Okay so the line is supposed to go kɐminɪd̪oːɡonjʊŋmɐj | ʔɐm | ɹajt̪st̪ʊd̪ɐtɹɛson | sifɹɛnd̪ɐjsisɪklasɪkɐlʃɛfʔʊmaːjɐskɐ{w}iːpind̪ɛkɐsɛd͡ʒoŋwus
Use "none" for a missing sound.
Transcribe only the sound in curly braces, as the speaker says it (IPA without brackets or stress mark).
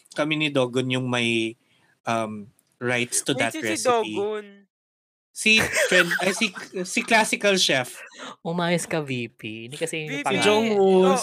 v